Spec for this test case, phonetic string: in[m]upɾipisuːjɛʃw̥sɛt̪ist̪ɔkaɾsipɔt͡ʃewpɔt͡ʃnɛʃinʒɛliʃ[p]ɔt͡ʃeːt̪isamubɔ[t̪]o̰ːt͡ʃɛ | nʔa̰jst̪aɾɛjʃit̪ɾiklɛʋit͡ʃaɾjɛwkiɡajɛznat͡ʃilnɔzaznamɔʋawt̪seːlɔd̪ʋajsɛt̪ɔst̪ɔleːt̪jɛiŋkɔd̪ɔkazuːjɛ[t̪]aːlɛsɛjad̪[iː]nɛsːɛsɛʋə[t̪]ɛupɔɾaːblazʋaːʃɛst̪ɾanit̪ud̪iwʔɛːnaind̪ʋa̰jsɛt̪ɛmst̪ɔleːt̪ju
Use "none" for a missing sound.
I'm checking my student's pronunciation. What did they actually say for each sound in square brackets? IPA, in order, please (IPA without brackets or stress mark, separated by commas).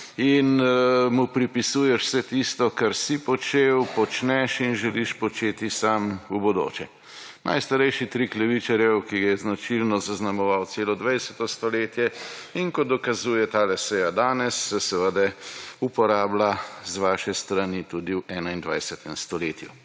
m, p, d̪, t̪, aː, d̪